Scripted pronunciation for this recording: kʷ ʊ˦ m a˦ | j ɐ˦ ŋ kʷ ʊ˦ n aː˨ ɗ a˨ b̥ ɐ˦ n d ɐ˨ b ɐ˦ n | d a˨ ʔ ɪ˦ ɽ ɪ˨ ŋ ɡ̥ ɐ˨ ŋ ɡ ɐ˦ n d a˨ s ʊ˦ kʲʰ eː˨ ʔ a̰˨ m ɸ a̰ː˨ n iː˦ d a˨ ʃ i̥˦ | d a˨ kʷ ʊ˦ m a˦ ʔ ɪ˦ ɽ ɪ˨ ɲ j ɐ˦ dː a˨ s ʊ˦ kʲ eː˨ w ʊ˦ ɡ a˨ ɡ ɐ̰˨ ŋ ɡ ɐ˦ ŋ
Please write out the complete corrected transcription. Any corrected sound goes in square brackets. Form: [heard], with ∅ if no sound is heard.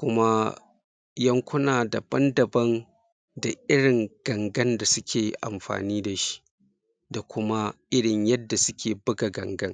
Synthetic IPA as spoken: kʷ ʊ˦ m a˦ | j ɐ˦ ŋ kʷ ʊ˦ n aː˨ [d] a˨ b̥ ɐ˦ n d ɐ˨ b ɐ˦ n | d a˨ ʔ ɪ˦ ɽ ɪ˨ ŋ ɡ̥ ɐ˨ ŋ ɡ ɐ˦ n d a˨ s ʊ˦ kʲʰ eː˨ ʔ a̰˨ m ɸ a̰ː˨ n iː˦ d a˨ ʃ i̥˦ | d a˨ kʷ ʊ˦ m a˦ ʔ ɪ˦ ɽ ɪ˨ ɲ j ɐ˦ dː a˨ s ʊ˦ kʲ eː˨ [b] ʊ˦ ɡ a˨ ɡ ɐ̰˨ ŋ ɡ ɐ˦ ŋ